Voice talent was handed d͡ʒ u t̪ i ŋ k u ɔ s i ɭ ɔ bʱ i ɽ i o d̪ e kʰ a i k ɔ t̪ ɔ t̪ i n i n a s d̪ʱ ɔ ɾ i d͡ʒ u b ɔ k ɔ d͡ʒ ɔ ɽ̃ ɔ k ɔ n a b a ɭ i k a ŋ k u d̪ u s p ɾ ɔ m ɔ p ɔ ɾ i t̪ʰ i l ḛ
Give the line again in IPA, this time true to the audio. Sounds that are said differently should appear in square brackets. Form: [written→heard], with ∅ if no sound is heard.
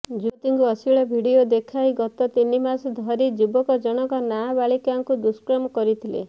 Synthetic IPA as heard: d͡ʒ u t̪ i ŋ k u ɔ s i ɭ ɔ bʱ i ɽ i o d̪ e kʰ a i [k→ɡ] ɔ t̪ ɔ t̪ i n i [n→m] a s d̪ʱ ɔ ɾ i d͡ʒ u b ɔ k ɔ d͡ʒ ɔ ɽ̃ ɔ k ɔ n a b a ɭ i k a ŋ k u d̪ u s [p→k] ɾ ɔ m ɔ [p→k] ɔ ɾ i t̪ʰ i l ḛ